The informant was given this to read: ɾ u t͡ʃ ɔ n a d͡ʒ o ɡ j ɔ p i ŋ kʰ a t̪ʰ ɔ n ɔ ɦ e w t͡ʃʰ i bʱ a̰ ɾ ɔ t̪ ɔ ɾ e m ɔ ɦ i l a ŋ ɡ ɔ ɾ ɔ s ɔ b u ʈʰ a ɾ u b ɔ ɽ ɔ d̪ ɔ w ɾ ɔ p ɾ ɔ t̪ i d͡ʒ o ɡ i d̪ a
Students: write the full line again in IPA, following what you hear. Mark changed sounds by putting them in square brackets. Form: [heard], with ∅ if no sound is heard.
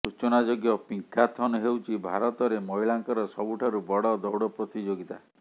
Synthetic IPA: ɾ u t͡ʃ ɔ n a d͡ʒ o ɡ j ɔ p i ŋ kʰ a t̪ʰ ɔ n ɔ ɦ e w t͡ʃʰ i bʱ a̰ ɾ ɔ t̪ ɔ ɾ e m ɔ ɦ i l a ŋ [k] ɔ ɾ ɔ s ɔ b u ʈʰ a ɾ u b ɔ ɽ ɔ d̪ ɔ w [ɽ] ɔ p ɾ ɔ t̪ i d͡ʒ o ɡ i [t̪] a